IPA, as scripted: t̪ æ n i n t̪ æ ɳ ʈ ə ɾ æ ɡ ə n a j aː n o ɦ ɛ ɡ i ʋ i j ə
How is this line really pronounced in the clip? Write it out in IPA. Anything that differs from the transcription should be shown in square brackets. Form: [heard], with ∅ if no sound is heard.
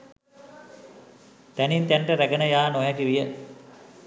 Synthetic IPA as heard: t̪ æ n i n t̪ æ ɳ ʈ ə ɾ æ ɡ ə n [ə] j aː n o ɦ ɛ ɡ i ʋ i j ə